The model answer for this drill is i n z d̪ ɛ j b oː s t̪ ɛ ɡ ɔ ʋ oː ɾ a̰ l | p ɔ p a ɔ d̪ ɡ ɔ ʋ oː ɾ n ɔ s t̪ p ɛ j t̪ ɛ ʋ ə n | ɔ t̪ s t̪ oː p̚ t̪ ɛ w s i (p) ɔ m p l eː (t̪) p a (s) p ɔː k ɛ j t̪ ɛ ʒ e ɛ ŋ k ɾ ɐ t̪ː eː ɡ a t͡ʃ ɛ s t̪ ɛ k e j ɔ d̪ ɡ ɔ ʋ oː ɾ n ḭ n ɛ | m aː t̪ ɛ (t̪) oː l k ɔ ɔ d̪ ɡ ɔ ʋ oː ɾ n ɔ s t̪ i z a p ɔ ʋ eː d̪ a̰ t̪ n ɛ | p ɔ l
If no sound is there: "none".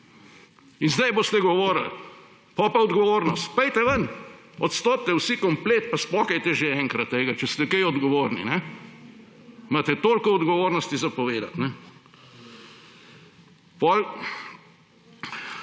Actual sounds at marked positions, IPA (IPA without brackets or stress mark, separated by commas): k, t̪, s, t̪